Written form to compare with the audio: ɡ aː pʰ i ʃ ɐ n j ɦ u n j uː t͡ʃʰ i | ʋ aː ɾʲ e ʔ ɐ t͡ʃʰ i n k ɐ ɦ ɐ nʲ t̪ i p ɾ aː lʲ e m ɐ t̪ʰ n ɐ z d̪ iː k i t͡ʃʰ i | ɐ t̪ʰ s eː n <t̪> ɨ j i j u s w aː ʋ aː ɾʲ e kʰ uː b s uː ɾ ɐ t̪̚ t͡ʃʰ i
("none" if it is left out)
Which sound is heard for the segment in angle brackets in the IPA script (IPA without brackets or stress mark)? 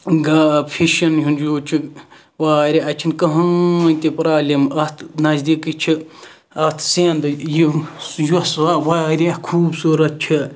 d̪